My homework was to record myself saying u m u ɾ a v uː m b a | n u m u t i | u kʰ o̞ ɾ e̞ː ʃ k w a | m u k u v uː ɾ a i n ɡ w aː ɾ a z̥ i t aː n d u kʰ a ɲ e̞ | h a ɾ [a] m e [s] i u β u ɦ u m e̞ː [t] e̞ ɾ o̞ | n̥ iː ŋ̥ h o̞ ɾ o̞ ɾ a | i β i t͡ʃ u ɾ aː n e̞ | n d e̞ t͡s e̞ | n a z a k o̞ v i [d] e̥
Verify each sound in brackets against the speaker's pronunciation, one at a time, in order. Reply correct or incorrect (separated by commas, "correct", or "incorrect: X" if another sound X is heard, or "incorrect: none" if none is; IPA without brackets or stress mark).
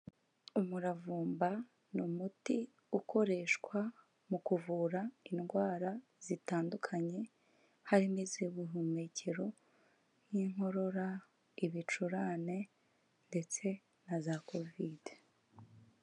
incorrect: i, incorrect: z, incorrect: c, correct